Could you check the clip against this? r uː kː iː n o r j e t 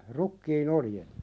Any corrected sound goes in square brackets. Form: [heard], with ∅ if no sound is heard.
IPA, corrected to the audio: r [u] kː iː n o [l] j e t